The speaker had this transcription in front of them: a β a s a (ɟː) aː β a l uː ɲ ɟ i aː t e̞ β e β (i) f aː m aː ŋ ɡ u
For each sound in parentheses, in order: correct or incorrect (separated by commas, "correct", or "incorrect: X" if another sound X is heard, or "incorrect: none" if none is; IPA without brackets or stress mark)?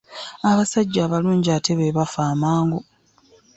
correct, incorrect: a